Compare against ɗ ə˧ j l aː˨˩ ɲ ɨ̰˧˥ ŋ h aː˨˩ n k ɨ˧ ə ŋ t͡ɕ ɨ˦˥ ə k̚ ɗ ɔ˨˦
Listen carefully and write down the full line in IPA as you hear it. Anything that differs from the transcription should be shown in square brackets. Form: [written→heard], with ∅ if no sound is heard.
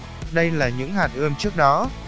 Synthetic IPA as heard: ɗ ə˧ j l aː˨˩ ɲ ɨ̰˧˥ ŋ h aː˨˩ n [k→ʔ] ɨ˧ ə [ŋ→m] t͡ɕ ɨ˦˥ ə k̚ ɗ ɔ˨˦